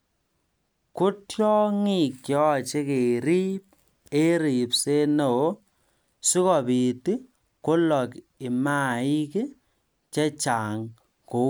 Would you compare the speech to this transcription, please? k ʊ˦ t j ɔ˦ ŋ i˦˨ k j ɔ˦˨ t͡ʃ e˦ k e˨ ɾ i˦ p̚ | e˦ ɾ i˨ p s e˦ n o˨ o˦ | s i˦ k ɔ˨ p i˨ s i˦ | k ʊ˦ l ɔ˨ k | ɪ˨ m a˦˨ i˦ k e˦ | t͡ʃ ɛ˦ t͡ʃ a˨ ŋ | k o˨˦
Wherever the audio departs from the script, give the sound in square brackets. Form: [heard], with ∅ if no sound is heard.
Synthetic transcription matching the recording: k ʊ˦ t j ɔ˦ ŋ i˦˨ k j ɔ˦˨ t͡ʃ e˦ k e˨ ɾ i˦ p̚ | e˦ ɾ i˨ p s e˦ n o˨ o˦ | s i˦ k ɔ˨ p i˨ [t] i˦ | k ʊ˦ l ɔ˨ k | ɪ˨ m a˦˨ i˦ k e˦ | t͡ʃ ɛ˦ t͡ʃ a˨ ŋ | k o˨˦